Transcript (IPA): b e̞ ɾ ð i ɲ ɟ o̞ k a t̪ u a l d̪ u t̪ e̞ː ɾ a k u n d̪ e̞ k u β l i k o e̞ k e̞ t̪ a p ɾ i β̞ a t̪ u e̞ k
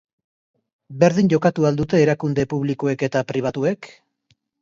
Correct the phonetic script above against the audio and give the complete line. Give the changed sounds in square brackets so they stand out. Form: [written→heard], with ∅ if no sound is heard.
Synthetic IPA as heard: b e̞ ɾ ð i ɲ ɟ o̞ k a t̪ u a l d̪ u t̪ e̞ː ɾ a k u n d̪ e̞ [k→p] u β l i k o e̞ k e̞ t̪ a p ɾ i β̞ a t̪ u e̞ k

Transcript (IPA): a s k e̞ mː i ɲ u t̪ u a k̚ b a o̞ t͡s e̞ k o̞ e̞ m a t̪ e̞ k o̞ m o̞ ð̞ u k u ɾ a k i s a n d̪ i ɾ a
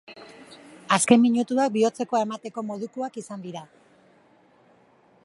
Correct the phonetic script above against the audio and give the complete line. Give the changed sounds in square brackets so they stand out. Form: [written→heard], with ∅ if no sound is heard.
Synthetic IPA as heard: a s k e̞ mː i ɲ u t̪ u a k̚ b [a→i] o̞ t͡s e̞ k o̞ e̞ m a t̪ e̞ k o̞ m o̞ ð̞ u k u [ɾ→∅] a k i s a n d̪ i ɾ a

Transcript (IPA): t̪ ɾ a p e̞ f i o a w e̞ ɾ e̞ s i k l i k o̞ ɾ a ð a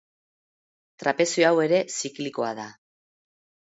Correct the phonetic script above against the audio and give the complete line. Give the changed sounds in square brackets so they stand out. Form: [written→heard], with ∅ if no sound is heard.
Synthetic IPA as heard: t̪ ɾ a p e̞ [f→s] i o a w e̞ ɾ e̞ s i k l i k o̞ [ɾ→∅] a ð a

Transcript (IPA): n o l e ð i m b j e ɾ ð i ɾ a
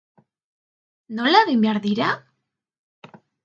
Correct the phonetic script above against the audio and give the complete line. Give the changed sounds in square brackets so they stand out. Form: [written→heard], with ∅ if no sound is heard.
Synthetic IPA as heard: n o l [e→a] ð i m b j [e→a] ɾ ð i ɾ a

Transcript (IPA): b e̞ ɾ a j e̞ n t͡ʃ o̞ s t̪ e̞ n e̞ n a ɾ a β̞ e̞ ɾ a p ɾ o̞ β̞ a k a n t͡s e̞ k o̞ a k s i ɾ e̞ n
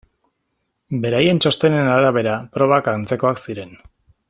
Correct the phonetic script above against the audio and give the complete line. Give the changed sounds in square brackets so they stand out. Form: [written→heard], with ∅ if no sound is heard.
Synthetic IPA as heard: b e̞ ɾ a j e̞ n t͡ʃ o̞ s t̪ e̞ n e̞ n a ɾ a β̞ e̞ ɾ a p ɾ o̞ β̞ a k a n t͡s e̞ k o̞ a k s i ɾ e̞ n

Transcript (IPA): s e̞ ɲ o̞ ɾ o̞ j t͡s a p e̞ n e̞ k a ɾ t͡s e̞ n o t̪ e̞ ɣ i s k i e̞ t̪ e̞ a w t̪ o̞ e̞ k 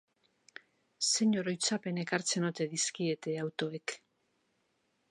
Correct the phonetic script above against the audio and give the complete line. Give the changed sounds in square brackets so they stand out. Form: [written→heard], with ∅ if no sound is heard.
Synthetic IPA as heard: s e̞ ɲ o̞ ɾ o̞ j t͡s a p e̞ n e̞ k a ɾ t͡s e̞ n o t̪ e̞ [ɣ→ð] i s k i e̞ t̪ e̞ a w t̪ o̞ e̞ k

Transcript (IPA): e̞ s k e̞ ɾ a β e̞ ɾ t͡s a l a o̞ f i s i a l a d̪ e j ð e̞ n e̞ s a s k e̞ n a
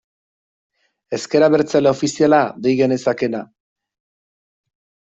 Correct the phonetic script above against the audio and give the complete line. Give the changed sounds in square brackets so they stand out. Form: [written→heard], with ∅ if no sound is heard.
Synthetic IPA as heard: e̞ s k e̞ ɾ a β e̞ ɾ t͡s a l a o̞ f i s i a l a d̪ e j [ð→ɣ] e̞ n e̞ s a [s→∅] k e̞ n a

